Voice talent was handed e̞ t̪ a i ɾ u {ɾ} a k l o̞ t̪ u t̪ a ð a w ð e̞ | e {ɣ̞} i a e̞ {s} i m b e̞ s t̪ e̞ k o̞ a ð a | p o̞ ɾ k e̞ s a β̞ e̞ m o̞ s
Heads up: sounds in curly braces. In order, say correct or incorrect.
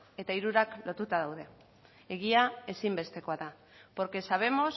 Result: correct, correct, correct

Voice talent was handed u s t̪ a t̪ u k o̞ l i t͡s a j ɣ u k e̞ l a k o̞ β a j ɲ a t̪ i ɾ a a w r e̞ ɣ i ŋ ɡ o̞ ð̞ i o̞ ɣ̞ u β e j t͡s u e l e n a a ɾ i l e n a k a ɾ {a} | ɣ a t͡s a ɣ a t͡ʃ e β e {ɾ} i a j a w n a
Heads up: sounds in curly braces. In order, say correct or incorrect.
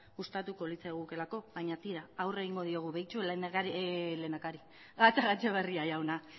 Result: incorrect: i, incorrect: r

